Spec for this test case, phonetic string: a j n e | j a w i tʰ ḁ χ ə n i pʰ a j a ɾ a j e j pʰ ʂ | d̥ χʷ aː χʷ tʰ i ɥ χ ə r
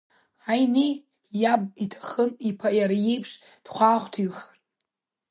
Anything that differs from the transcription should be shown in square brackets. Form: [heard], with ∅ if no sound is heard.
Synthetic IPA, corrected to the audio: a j n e | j a [b] i tʰ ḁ χ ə n i pʰ a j a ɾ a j e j pʰ ʂ | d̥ χʷ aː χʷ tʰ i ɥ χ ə r